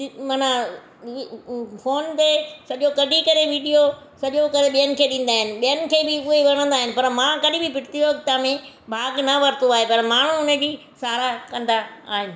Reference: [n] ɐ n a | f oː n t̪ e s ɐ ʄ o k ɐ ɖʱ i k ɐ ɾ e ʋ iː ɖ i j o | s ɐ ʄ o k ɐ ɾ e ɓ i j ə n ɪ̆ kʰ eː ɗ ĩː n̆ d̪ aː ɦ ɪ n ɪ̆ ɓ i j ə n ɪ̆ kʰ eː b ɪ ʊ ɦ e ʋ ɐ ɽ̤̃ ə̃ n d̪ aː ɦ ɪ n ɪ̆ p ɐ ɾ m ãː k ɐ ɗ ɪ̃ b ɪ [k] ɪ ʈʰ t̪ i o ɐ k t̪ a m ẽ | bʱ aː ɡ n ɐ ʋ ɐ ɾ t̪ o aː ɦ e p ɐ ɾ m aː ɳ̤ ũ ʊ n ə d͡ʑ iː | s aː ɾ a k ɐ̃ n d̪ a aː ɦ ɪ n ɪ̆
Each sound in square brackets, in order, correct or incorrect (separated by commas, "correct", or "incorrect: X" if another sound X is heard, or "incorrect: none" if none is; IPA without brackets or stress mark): incorrect: m, incorrect: p